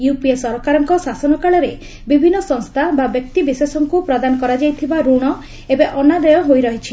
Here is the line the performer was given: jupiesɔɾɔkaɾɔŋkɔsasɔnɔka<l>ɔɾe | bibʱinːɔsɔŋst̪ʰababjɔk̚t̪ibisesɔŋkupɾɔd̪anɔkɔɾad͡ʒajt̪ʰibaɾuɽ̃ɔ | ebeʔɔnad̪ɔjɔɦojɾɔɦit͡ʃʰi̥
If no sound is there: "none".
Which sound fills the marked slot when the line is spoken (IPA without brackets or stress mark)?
ɭ